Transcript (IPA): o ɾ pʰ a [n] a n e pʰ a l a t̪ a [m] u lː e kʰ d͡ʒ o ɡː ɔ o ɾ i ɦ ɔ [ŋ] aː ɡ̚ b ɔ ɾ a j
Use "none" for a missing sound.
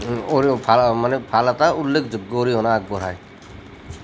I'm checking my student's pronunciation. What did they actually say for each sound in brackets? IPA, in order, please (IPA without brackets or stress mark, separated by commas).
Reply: m, none, n